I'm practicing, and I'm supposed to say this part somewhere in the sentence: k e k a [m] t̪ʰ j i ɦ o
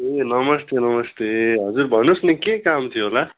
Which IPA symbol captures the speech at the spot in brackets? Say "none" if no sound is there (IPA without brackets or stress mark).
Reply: m